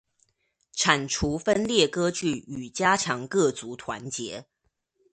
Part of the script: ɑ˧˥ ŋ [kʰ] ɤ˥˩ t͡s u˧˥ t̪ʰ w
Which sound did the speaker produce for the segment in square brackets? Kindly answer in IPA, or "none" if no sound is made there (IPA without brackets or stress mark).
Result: k